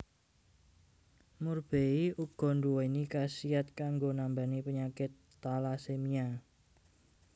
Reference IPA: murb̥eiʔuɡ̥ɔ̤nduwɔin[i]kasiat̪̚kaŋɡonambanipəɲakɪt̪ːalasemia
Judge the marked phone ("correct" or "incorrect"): correct